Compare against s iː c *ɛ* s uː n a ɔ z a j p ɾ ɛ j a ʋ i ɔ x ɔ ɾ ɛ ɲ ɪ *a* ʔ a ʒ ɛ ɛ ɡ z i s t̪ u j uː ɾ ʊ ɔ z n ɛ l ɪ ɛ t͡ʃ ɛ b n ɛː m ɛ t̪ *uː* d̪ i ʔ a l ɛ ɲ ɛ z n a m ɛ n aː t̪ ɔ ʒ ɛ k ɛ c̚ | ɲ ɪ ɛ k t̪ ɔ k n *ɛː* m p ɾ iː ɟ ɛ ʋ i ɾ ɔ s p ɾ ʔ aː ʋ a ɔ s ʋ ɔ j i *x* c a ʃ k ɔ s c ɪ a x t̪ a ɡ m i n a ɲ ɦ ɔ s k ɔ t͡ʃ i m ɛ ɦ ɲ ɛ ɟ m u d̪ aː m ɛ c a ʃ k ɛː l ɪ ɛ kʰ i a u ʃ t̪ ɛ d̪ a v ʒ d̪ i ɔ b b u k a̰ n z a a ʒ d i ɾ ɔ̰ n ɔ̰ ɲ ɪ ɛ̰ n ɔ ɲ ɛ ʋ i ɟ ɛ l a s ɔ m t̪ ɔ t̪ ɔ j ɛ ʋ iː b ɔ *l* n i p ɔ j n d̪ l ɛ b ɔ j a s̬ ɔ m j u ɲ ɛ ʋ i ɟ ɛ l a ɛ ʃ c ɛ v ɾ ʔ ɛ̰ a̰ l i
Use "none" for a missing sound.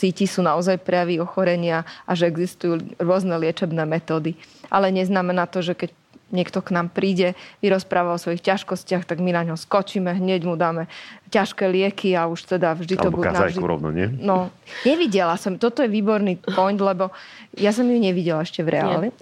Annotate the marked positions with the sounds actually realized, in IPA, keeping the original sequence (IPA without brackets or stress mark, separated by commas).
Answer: i, a, ɔː, aː, x, ɾ